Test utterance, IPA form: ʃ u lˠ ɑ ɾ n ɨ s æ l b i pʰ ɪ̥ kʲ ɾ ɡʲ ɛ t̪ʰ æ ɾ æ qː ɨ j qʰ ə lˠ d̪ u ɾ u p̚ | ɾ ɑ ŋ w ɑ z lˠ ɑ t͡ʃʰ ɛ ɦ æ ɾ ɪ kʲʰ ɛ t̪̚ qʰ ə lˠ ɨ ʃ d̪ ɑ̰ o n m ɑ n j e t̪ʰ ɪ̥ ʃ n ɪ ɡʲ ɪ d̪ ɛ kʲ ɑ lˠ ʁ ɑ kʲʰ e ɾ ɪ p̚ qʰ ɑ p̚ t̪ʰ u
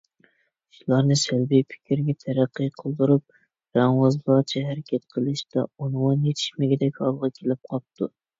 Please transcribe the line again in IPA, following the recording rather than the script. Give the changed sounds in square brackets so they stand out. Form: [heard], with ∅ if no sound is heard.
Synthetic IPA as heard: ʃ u lˠ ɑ ɾ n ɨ s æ l b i pʰ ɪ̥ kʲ ɾ ɡʲ ɛ t̪ʰ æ ɾ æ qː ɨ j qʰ ə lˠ d̪ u ɾ u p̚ | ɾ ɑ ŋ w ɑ z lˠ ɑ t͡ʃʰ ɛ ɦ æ ɾ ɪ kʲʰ ɛ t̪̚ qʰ ə lˠ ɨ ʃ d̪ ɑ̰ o n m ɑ n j e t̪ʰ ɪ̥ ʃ [m] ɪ ɡʲ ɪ d̪ ɛ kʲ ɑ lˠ ʁ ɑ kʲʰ e [l] ɪ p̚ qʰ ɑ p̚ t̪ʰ u